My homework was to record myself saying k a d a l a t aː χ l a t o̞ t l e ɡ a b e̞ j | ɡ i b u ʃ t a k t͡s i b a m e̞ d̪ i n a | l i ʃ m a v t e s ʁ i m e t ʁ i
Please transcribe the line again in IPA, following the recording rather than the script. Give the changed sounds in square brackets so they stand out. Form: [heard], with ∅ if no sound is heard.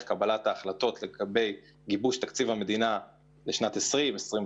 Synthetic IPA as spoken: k a [b] a l a t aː χ l a t o̞ t l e ɡ a b e̞ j | ɡ i b u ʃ t a k t͡s i [v] a m e̞ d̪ i n a | l [e] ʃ [n] a [∅] t e s ʁ i m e [s] ʁ i